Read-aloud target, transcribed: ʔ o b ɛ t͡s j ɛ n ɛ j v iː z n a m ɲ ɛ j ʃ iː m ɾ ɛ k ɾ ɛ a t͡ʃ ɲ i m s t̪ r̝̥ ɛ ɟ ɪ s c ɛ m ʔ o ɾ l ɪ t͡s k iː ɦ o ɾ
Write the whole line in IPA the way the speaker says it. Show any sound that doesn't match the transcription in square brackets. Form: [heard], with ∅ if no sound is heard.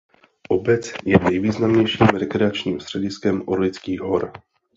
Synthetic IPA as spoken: ʔ o b ɛ t͡s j ɛ n ɛ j v iː z n a m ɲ ɛ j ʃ iː m ɾ ɛ k ɾ ɛ a t͡ʃ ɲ [iː] m s t̪ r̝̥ ɛ ɟ ɪ s [k] ɛ m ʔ o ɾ l ɪ t͡s k iː ɦ o ɾ